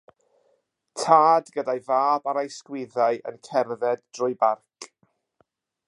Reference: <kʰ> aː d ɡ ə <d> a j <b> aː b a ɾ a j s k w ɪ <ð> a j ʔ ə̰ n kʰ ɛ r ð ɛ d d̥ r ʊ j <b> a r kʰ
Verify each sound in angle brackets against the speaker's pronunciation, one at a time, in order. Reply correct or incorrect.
incorrect: tʰ, correct, incorrect: v, correct, correct

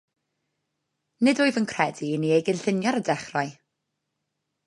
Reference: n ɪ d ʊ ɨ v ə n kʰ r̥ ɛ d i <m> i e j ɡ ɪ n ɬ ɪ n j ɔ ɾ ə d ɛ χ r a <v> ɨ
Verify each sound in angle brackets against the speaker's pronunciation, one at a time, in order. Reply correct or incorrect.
incorrect: n, incorrect: none

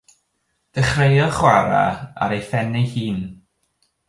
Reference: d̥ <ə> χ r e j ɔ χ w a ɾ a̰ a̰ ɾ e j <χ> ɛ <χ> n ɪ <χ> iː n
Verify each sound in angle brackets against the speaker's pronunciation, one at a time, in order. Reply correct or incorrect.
correct, incorrect: f, incorrect: none, incorrect: h

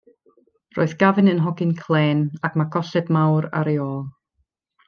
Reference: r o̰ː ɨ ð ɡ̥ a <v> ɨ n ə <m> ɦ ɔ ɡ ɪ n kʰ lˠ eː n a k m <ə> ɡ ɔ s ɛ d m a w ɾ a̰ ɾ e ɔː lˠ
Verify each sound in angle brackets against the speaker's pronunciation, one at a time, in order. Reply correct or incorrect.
correct, incorrect: n, incorrect: a

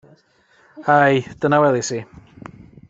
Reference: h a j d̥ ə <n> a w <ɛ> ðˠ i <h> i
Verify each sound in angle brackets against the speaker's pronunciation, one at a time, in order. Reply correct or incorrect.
correct, correct, incorrect: s

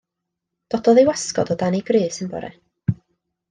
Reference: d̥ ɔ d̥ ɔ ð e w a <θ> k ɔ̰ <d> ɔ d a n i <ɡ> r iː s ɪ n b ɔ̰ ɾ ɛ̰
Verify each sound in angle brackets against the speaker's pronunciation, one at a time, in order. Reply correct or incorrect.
incorrect: s, correct, correct

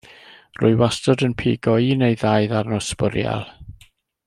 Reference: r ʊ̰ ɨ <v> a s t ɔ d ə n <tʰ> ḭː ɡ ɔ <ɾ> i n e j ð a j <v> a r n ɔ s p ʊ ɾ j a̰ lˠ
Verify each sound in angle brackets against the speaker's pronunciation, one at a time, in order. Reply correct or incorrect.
incorrect: w, incorrect: pʰ, incorrect: none, incorrect: ð

